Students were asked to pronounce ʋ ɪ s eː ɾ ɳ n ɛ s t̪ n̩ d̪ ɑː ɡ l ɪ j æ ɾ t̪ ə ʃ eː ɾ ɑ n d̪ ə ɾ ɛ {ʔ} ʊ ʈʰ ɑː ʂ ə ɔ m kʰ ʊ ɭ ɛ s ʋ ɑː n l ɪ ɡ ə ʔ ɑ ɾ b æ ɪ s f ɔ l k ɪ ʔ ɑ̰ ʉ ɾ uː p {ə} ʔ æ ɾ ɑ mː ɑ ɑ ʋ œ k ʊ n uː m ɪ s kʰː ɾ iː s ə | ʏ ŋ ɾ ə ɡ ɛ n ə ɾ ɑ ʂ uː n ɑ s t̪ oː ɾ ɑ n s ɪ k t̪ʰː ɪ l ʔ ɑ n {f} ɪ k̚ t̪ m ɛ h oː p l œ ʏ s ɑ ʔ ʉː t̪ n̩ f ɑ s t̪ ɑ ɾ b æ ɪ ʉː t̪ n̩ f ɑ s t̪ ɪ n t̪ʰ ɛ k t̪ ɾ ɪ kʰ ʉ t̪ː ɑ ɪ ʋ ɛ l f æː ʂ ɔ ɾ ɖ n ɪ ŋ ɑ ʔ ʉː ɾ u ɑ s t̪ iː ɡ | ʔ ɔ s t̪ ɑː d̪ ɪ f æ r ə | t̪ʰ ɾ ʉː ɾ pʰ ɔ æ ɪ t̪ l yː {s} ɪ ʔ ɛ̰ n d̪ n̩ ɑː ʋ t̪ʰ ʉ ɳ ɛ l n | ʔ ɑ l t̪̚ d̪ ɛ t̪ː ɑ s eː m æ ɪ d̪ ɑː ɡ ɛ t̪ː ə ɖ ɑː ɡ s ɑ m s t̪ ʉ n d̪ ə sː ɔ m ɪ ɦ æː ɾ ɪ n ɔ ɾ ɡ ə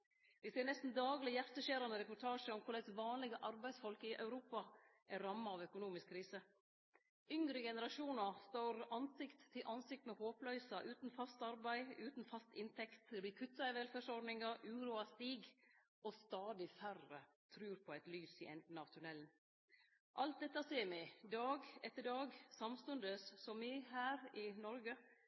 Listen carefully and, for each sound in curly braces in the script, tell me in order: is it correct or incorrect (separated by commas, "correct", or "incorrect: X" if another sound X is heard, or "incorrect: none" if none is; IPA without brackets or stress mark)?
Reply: incorrect: p, incorrect: ɑ, incorrect: s, correct